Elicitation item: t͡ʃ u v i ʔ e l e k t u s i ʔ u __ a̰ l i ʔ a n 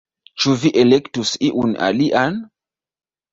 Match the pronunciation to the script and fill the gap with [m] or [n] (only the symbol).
n